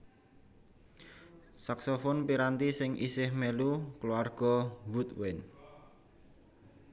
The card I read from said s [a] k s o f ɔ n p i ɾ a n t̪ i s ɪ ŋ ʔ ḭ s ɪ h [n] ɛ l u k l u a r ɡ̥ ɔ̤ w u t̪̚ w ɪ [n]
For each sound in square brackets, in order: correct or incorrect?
correct, incorrect: m, correct

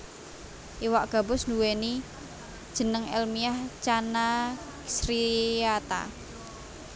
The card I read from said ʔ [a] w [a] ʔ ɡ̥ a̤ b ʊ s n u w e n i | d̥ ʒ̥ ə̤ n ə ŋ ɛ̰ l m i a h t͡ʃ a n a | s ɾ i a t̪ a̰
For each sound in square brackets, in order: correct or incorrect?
incorrect: i, correct

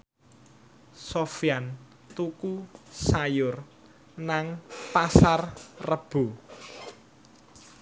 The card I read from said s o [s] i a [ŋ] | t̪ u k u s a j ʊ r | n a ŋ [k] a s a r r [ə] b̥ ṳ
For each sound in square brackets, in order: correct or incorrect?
incorrect: f, incorrect: n, incorrect: p, correct

